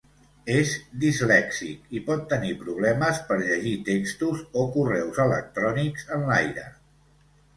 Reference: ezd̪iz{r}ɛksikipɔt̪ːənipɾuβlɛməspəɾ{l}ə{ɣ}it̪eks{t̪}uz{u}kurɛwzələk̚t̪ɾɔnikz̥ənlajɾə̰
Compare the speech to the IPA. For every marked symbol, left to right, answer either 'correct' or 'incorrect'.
incorrect, incorrect, incorrect, correct, incorrect

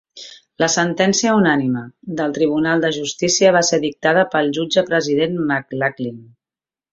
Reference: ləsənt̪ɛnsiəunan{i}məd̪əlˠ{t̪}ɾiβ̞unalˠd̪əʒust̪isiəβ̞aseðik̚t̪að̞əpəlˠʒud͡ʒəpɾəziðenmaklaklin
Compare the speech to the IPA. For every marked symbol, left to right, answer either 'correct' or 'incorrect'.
correct, correct

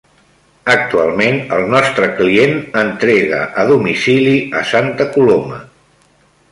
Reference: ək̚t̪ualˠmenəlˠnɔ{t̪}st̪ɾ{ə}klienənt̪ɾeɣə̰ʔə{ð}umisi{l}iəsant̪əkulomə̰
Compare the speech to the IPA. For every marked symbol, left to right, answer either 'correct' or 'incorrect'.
incorrect, correct, correct, correct

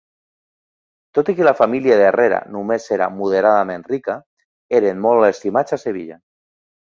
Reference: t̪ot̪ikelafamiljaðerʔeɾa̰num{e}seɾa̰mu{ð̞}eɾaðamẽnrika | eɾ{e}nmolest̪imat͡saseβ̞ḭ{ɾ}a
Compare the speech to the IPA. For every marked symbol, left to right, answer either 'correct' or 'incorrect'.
correct, correct, correct, incorrect

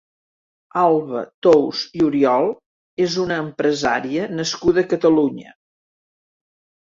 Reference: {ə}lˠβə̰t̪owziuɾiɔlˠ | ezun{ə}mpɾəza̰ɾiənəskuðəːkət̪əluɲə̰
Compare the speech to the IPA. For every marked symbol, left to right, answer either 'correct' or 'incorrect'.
incorrect, incorrect

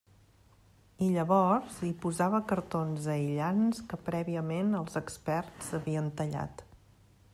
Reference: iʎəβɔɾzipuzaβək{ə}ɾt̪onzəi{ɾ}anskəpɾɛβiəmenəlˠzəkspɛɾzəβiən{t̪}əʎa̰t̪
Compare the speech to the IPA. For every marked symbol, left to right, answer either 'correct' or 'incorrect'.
correct, incorrect, correct

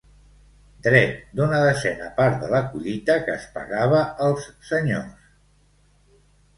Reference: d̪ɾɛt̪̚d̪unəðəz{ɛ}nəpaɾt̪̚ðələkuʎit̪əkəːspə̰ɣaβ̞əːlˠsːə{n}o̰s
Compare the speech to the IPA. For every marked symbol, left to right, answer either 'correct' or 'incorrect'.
correct, incorrect

